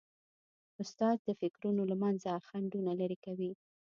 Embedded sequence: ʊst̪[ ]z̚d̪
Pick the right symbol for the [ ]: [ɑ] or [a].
ɑ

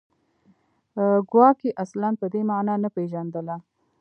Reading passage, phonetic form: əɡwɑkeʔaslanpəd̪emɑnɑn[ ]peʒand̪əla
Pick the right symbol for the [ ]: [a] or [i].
a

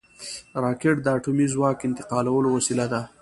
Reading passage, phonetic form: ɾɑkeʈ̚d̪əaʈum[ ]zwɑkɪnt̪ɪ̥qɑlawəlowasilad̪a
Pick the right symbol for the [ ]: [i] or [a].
i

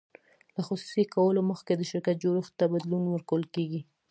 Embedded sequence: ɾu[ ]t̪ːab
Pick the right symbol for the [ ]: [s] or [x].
x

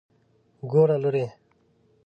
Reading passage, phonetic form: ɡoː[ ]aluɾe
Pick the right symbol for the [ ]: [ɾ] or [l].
ɾ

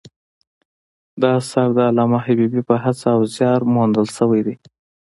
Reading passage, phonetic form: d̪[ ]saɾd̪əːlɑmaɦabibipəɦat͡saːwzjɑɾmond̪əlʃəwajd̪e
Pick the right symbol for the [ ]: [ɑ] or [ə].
ɑ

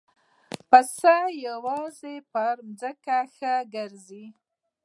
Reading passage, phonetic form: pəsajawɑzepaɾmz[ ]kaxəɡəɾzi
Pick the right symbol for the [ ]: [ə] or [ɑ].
ə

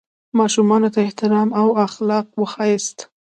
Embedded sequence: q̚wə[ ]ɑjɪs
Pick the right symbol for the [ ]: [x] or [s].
x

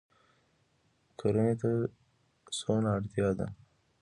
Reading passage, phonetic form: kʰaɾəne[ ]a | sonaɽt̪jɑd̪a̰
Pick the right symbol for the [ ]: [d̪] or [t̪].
t̪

